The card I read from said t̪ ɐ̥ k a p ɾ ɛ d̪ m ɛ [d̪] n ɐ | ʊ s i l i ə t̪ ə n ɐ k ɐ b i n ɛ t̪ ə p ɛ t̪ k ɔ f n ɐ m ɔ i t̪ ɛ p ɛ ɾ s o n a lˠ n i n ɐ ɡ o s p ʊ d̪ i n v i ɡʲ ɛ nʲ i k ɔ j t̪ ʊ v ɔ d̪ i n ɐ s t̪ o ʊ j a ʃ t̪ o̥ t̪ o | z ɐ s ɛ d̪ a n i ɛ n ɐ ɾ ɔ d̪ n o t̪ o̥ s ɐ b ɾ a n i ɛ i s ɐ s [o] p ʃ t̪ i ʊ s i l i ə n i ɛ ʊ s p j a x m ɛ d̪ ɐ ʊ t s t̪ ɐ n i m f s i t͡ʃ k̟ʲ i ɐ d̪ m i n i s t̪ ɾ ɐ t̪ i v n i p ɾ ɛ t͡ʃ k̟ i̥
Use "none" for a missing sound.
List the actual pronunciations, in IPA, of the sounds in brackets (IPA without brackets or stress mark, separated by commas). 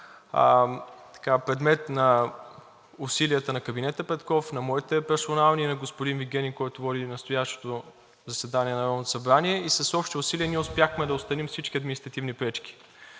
t̪, ɔ